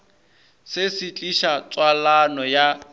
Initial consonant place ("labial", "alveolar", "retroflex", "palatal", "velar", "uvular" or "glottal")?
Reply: alveolar